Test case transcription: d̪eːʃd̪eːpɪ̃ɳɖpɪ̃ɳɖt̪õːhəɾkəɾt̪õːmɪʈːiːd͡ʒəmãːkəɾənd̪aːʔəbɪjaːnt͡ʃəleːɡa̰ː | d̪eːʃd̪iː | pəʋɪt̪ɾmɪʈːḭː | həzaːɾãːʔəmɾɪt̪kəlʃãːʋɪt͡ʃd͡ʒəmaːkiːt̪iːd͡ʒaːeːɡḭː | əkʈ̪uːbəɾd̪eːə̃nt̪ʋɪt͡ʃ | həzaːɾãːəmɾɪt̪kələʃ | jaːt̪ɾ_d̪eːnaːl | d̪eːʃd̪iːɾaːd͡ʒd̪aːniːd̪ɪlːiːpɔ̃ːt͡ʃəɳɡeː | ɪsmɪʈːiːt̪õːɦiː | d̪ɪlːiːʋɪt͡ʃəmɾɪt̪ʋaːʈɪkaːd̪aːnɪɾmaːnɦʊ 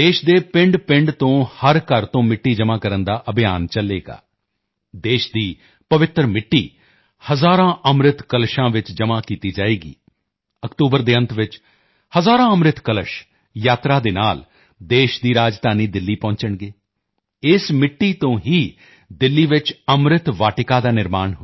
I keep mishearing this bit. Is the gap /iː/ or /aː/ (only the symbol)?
aː